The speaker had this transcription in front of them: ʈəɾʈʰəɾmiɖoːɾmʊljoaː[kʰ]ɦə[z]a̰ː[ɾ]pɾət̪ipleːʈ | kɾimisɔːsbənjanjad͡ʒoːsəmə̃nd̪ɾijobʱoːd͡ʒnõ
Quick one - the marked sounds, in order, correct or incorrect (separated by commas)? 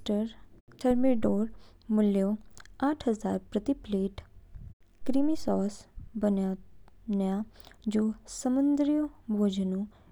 incorrect, correct, correct